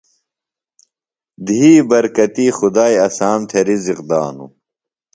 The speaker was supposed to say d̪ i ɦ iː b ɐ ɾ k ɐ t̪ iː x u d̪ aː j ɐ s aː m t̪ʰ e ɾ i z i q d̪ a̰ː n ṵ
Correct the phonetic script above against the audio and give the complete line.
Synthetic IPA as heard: d̪ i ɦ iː b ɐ ɾ k ɐ t̪ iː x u d̪ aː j ɐ s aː m t̪ʰ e ɾ i z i q d̪ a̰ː n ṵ